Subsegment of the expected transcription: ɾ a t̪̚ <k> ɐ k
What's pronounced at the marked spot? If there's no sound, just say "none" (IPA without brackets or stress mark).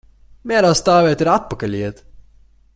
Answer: p